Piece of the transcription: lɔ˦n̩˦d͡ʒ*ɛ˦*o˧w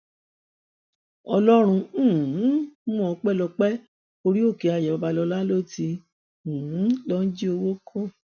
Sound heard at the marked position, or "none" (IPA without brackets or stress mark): i˦